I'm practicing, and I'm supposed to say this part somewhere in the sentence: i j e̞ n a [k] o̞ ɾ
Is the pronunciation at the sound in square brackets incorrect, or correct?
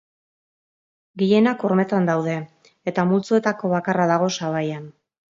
correct